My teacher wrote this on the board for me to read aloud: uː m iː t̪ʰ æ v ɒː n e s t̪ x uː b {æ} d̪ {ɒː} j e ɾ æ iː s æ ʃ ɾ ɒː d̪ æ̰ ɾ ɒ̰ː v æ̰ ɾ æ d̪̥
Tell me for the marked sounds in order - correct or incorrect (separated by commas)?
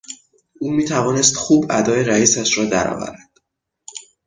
correct, correct